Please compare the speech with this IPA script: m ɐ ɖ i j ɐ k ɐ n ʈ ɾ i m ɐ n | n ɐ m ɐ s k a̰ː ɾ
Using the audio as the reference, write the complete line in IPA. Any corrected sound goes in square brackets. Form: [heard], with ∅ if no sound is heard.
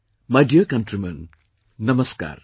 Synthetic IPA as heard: m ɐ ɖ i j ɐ k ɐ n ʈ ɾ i m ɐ n | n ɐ m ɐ s k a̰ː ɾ